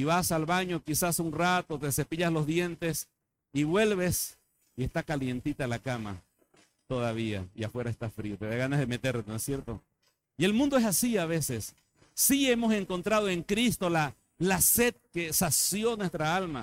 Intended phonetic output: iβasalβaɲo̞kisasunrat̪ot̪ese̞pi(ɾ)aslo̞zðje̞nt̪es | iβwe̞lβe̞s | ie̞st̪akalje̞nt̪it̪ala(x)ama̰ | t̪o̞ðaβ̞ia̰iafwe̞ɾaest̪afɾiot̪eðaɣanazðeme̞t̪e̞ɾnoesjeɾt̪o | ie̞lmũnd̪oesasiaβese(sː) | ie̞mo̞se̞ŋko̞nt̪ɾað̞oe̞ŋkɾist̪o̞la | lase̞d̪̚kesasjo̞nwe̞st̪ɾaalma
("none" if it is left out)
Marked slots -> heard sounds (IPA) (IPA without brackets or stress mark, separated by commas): ʎ, k, sː